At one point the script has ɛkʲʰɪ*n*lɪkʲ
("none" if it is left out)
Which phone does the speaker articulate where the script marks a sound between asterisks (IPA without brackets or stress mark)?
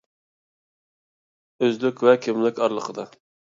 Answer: m